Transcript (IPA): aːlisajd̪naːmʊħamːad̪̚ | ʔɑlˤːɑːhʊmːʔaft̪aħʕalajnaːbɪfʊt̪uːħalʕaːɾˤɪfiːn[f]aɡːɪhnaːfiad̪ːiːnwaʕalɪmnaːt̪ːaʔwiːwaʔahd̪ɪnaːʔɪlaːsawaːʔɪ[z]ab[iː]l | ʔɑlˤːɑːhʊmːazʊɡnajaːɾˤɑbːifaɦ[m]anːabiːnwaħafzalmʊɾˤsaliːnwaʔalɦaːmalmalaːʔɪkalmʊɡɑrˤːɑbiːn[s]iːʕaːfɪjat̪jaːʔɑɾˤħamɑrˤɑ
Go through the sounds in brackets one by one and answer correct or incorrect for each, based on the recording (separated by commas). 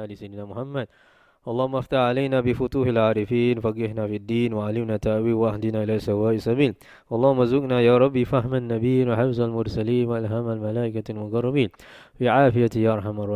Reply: correct, incorrect, correct, correct, incorrect